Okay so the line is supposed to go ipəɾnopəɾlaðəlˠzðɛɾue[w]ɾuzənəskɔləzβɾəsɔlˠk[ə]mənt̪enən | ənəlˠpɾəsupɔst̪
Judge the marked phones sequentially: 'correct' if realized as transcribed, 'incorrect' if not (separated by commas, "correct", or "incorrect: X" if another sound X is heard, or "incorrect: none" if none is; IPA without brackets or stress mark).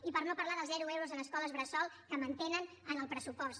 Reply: correct, correct